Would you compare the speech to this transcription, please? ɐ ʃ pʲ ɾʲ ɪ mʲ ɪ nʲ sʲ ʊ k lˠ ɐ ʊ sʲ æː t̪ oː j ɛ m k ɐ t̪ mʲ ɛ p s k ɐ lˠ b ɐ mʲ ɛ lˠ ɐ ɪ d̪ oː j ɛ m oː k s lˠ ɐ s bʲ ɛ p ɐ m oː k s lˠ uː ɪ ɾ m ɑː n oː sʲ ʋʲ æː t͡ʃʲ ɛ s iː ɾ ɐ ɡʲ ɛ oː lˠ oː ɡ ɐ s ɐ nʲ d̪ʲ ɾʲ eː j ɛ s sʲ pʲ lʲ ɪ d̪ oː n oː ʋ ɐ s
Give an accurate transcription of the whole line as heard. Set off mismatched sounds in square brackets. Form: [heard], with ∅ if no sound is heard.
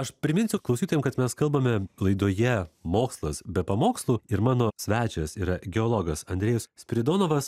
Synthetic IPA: ɐ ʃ pʲ ɾʲ ɪ mʲ ɪ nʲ sʲ ʊ k lˠ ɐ ʊ sʲ [iː] t̪ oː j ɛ m k ɐ t̪ mʲ ɛ [∅] s k ɐ lˠ b ɐ mʲ ɛ lˠ ɐ ɪ d̪ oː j ɛ m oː k s lˠ ɐ s bʲ ɛ p ɐ m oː k s lˠ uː ɪ ɾ m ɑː n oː sʲ ʋʲ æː t͡ʃʲ ɛ s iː ɾ ɐ ɡʲ ɛ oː lˠ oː ɡ ɐ s ɐ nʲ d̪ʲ ɾʲ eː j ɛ s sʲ pʲ [ɾʲ] ɪ d̪ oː n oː ʋ ɐ s

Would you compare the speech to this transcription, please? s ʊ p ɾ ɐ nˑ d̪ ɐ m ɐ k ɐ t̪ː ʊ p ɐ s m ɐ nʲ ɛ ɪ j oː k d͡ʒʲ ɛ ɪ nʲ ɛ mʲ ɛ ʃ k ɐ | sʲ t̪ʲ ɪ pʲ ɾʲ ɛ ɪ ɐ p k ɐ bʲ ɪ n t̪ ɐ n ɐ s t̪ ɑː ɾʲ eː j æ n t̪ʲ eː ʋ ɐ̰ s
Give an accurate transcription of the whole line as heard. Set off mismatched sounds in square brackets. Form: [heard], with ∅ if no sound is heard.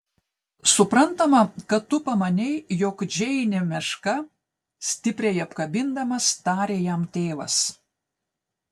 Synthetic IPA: s ʊ p ɾ ɐ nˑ [t̪] ɐ m ɐ k ɐ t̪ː ʊ p ɐ [∅] m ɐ nʲ ɛ ɪ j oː k d͡ʒʲ ɛ ɪ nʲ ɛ mʲ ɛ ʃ k ɐ | sʲ t̪ʲ ɪ pʲ ɾʲ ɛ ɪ ɐ p k ɐ bʲ ɪ n [d̪] ɐ [m] ɐ s t̪ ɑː ɾʲ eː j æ [m] t̪ʲ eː ʋ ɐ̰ s

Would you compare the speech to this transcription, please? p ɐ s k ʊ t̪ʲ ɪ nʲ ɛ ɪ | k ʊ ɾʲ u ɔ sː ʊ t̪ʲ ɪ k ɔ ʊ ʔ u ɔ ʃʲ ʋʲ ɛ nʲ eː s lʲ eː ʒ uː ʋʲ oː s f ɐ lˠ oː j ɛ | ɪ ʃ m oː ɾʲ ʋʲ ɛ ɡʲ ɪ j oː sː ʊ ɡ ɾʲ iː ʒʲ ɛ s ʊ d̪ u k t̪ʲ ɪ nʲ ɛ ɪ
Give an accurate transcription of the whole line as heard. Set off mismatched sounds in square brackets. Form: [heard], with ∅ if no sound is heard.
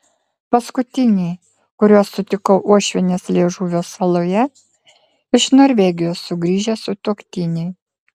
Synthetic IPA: p ɐ s k ʊ t̪ʲ ɪ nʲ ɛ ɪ | k ʊ ɾʲ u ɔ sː ʊ t̪ʲ ɪ k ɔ ʊ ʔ u ɔ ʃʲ ʋʲ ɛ nʲ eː s lʲ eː ʒ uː ʋʲ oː s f ɐ lˠ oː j ɛ | ɪ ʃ [n] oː ɾʲ ʋʲ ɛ ɡʲ ɪ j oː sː ʊ ɡ ɾʲ iː ʒʲ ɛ s ʊ [t̪] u k t̪ʲ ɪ nʲ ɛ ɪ

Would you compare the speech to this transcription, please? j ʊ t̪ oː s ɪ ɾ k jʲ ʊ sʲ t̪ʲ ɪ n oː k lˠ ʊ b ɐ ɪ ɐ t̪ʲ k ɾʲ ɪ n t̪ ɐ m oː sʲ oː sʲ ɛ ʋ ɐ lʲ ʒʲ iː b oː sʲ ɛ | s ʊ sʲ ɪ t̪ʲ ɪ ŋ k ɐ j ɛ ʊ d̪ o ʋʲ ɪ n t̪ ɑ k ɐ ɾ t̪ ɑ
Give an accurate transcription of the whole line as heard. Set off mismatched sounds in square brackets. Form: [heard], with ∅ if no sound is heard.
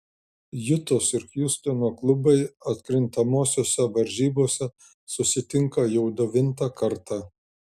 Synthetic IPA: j ʊ t̪ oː s ɪ ɾ k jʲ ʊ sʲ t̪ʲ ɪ n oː k lˠ ʊ b ɐ ɪ ɐ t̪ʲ k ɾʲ ɪ n t̪ ɐ m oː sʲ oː sʲ ɛ ʋ ɐ [ɾʲ] ʒʲ iː b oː sʲ ɛ | s ʊ sʲ ɪ t̪ʲ ɪ ŋ k ɐ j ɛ ʊ d̪ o ʋʲ ɪ n t̪ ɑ k ɐ ɾ t̪ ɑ

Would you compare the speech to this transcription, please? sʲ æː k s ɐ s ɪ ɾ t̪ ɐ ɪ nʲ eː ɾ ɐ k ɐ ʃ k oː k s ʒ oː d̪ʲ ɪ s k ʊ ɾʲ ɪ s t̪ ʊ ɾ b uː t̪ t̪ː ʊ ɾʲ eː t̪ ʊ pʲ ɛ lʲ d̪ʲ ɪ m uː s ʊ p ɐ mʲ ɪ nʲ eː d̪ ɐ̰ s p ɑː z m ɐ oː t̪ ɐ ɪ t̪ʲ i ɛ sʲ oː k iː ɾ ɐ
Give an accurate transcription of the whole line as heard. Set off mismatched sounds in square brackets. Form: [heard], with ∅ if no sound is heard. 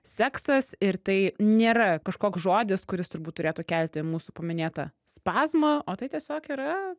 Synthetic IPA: sʲ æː k s ɐ s ɪ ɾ t̪ ɐ ɪ nʲ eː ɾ ɐ k ɐ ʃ k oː k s ʒ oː d̪ʲ ɪ s k ʊ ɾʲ ɪ s t̪ ʊ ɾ b uː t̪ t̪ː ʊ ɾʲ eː t̪ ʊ [kʲ] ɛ lʲ [t̪ʲ] ɪ m uː s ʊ p ɐ mʲ ɪ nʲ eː [t̪] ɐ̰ s p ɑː z m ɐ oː t̪ ɐ ɪ t̪ʲ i ɛ sʲ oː k iː ɾ ɐ

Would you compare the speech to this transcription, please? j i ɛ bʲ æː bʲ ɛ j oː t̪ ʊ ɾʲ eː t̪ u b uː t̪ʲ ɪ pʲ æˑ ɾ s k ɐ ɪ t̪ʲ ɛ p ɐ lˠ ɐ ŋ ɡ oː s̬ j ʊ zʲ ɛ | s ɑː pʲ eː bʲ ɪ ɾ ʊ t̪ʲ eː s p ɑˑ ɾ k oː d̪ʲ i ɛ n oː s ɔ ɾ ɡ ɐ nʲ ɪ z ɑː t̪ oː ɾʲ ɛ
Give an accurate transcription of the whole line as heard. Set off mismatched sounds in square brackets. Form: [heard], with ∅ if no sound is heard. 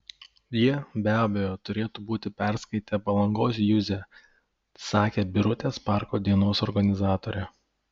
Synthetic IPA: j i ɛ bʲ æː bʲ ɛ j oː t̪ ʊ ɾʲ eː t̪ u b uː t̪ʲ ɪ pʲ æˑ ɾ s k ɐ ɪ t̪ʲ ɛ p ɐ lˠ ɐ ŋ ɡ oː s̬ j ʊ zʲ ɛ | s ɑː [kʲ] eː bʲ ɪ ɾ ʊ t̪ʲ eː s p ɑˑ ɾ k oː d̪ʲ i ɛ n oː s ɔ ɾ ɡ ɐ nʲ ɪ z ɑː t̪ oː ɾʲ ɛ

